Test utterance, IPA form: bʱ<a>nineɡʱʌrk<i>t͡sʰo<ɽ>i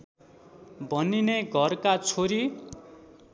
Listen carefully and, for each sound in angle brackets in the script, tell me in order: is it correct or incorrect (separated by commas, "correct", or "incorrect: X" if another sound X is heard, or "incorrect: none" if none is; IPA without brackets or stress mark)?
incorrect: ʌ, incorrect: a, incorrect: ɾ